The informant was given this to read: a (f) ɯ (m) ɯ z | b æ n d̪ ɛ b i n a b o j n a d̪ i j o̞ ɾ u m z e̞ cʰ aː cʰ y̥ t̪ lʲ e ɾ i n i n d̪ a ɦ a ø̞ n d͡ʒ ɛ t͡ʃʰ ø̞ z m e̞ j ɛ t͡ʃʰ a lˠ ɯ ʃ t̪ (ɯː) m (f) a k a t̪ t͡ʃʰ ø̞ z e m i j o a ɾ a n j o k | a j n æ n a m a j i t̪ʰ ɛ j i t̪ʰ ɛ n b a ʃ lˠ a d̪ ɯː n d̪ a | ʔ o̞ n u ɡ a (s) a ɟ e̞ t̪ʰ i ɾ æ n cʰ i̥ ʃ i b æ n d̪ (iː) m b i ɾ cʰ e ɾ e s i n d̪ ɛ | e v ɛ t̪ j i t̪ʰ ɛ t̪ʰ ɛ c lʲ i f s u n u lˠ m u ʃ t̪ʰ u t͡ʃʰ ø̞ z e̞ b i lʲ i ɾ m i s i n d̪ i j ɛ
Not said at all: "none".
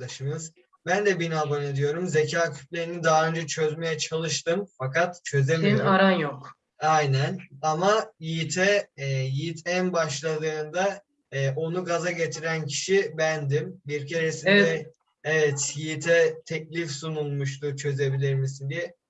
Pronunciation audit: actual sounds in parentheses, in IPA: ʃ, m, ɯ, f, z, i

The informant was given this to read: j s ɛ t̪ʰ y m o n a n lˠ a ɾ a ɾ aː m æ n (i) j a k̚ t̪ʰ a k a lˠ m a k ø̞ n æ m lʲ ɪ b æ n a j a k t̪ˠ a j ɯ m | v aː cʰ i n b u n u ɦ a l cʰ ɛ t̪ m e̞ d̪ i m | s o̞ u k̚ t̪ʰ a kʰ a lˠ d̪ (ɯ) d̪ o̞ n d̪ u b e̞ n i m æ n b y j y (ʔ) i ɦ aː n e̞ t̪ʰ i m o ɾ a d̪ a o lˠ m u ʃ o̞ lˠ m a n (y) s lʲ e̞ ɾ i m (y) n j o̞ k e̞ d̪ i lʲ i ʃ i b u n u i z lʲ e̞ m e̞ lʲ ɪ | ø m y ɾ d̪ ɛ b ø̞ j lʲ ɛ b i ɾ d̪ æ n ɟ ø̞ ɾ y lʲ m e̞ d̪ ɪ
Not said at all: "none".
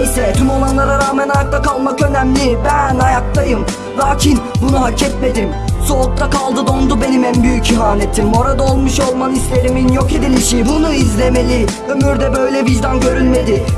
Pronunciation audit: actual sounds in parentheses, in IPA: a, ɯ, c, i, i

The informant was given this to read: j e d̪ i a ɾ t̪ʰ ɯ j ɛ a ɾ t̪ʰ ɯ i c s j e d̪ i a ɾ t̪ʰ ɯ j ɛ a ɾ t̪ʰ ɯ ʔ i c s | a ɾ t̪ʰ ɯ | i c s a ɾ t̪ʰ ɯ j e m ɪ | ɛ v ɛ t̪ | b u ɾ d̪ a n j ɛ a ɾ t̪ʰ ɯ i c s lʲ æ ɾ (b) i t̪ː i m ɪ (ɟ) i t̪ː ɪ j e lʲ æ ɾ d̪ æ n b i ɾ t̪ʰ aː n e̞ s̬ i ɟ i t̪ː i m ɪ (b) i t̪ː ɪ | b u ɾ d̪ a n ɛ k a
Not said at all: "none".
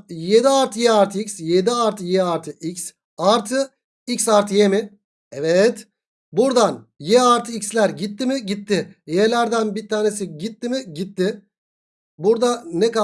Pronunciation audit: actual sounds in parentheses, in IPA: ɟ, ɟ, ɟ

